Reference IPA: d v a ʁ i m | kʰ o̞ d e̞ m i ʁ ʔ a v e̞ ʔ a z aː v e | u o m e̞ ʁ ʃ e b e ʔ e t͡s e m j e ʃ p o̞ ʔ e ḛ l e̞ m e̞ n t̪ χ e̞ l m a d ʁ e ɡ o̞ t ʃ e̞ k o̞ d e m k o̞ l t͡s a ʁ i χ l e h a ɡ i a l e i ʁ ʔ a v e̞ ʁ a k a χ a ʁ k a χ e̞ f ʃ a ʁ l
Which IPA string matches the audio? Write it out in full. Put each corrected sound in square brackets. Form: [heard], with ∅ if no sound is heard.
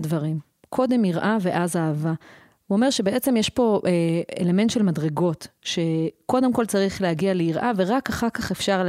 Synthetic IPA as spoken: d v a ʁ i m | kʰ o̞ d e̞ m i ʁ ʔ a v e̞ ʔ a z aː v [a] | u o m e̞ ʁ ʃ e b e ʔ e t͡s e m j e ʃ p o̞ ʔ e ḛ l e̞ m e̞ n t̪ [ʃ] e̞ l m a d ʁ e ɡ o̞ t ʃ e̞ k o̞ d e m k o̞ l t͡s a ʁ i χ l e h a ɡ i a l e i ʁ ʔ a v e̞ ʁ a k a χ a ʁ k a χ e̞ f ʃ a ʁ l